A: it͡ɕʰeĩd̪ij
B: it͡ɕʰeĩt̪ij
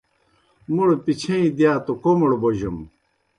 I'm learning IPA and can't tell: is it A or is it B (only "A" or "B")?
A